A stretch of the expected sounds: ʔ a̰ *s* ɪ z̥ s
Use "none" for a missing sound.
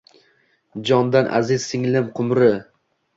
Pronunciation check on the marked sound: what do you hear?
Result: z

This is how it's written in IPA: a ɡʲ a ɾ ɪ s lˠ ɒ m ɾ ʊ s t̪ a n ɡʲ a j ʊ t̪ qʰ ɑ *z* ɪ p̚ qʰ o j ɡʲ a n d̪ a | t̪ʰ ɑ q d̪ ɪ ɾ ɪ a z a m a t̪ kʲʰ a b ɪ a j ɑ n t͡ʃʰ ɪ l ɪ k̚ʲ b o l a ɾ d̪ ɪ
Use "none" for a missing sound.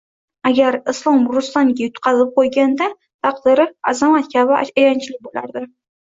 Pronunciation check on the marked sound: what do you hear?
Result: z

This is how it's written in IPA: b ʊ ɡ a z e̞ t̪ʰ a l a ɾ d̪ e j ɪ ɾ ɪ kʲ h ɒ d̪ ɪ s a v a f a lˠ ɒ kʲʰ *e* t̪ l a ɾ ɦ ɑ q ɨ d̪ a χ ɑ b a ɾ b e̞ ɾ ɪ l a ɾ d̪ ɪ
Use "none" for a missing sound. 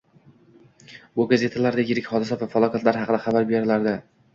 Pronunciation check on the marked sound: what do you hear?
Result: a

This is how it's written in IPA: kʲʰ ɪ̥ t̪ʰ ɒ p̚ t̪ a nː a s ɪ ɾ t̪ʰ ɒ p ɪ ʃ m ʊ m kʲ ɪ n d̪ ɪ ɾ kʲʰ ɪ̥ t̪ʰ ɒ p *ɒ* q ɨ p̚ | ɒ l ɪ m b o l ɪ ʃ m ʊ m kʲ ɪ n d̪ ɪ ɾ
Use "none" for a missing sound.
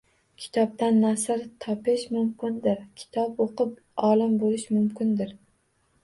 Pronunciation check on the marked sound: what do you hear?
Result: o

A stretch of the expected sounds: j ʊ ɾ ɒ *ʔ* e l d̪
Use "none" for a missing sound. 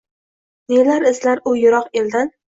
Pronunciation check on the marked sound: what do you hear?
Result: q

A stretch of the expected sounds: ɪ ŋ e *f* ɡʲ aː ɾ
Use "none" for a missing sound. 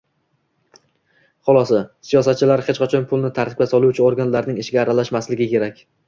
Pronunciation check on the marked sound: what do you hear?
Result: ʃ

